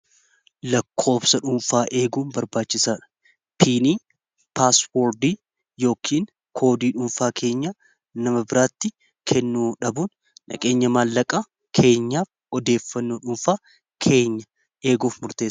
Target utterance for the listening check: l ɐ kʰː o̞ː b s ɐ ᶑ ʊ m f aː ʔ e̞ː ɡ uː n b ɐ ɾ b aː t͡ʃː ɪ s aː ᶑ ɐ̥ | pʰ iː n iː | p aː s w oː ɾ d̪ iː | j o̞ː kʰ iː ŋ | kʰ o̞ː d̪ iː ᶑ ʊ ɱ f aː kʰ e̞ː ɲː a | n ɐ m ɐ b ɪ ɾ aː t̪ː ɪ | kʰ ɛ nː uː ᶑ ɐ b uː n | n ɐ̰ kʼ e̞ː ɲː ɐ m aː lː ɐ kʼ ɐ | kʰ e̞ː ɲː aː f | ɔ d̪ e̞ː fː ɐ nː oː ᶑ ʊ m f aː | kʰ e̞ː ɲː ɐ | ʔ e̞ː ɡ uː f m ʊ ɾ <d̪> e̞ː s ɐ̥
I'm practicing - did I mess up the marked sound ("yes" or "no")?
yes